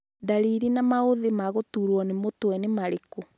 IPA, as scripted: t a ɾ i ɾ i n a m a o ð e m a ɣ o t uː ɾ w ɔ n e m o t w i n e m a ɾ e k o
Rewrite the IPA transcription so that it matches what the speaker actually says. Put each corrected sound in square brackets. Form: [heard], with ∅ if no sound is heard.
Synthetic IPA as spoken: [d] a ɾ i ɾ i n a m a o ð e m a ɣ o t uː ɾ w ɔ n e m o t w [ɛ] n e m a ɾ e k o